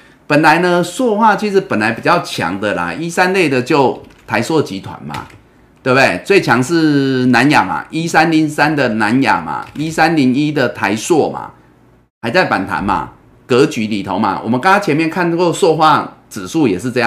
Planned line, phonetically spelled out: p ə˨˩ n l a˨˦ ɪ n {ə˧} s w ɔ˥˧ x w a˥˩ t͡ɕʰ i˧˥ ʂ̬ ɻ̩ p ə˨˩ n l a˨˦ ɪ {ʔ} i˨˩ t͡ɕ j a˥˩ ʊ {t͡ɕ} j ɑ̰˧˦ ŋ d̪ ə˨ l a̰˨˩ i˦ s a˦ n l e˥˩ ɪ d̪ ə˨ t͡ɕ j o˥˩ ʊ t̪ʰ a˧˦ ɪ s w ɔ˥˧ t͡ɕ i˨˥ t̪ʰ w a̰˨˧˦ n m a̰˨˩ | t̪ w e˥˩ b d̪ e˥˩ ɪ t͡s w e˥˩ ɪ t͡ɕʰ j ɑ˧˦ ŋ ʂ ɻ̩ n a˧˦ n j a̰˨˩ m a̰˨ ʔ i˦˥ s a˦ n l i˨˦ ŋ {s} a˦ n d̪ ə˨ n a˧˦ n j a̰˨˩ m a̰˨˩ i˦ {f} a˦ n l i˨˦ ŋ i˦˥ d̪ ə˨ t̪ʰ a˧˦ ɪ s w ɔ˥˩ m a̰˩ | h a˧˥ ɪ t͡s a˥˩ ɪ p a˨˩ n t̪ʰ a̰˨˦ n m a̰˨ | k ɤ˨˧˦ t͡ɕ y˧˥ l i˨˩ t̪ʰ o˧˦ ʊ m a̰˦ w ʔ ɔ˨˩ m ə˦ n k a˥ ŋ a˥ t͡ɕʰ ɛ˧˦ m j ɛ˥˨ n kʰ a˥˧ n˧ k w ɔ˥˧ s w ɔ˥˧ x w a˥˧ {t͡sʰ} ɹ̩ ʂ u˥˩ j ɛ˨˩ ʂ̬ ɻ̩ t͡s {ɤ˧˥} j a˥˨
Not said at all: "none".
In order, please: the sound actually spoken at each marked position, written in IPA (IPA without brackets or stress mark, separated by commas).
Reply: ə˧, p, t͡ɕʰ, s, s, t͡s, ɤ˥˧